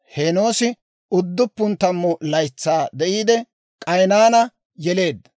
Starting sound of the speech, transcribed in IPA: h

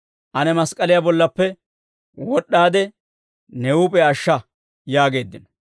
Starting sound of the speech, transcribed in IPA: ʔ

